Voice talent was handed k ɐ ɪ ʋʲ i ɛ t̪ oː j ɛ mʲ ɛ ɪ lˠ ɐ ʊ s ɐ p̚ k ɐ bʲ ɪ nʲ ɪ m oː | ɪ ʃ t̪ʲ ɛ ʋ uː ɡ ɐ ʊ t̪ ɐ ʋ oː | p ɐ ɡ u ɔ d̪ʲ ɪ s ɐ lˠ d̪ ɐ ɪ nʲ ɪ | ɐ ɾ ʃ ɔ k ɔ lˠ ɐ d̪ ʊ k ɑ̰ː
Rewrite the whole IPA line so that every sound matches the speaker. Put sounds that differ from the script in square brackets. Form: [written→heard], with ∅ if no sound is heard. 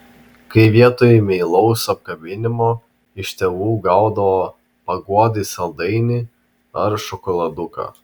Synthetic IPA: k ɐ ɪ ʋʲ i ɛ t̪ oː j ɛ mʲ ɛ ɪ lˠ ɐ ʊ s ɐ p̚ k ɐ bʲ ɪ nʲ ɪ m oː | ɪ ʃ t̪ʲ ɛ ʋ uː ɡ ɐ ʊ [t̪→d̪] ɐ ʋ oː | p ɐ ɡ u ɔ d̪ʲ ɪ s ɐ lˠ d̪ ɐ ɪ nʲ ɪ | ɐ ɾ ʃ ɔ k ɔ lˠ ɐ d̪ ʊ k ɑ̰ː